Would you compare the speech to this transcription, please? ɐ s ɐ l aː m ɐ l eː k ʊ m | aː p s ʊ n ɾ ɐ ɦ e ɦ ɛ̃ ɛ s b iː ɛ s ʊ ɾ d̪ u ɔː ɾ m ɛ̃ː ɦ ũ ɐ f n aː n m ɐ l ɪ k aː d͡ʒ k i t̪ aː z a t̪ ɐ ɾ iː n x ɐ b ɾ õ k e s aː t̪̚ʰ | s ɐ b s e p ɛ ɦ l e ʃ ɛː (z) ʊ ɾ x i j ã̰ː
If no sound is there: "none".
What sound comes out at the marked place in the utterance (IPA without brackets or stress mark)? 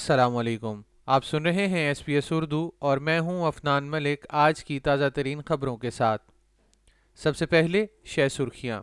s